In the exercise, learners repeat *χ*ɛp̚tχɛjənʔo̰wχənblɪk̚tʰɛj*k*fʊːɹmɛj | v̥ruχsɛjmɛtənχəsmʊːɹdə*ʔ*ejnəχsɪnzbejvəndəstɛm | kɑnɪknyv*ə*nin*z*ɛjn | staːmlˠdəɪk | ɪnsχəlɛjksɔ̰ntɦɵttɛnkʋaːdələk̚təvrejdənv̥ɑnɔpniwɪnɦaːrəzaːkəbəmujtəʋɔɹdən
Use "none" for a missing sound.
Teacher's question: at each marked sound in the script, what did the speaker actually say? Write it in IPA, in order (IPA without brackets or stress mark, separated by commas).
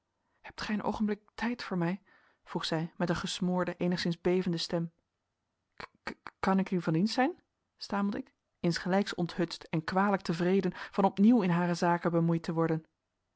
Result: h, t, ʔ, ɑ, s